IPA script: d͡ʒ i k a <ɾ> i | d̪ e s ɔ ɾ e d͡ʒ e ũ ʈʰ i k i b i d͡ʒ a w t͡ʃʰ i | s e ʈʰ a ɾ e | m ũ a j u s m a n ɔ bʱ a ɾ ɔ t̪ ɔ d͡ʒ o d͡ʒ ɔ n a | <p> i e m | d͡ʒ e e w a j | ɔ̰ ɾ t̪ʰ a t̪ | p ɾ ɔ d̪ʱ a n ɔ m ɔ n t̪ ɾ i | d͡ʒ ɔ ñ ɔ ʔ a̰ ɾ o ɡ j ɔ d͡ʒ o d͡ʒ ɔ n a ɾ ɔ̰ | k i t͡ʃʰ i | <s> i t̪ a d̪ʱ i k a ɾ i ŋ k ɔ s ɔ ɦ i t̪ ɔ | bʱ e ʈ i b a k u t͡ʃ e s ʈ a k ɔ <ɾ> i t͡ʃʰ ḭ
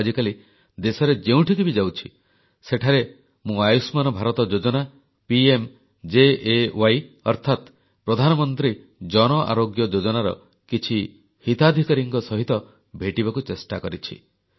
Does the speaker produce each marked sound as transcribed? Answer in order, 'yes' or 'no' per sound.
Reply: no, yes, no, yes

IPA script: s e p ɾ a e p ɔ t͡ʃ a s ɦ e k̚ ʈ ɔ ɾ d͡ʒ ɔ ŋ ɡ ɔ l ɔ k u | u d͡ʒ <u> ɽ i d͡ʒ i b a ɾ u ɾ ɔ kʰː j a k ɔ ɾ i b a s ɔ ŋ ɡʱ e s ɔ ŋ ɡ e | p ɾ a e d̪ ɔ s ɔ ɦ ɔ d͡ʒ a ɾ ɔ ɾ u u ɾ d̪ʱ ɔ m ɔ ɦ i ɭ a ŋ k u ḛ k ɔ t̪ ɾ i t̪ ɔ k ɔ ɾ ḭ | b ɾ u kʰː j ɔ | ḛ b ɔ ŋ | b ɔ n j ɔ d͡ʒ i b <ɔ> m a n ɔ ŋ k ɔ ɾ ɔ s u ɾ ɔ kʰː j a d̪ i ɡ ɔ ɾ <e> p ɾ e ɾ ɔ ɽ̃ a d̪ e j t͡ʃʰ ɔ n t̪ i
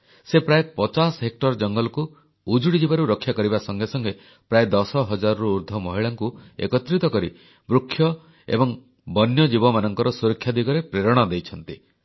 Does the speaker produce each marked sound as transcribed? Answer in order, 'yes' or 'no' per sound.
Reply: yes, yes, yes

